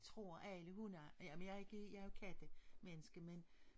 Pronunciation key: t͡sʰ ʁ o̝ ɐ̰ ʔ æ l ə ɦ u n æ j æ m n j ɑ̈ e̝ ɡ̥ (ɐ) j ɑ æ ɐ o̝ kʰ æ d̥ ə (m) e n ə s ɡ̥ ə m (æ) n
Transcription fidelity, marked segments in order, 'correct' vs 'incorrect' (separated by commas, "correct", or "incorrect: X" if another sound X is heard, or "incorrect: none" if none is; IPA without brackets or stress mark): incorrect: ə, correct, incorrect: e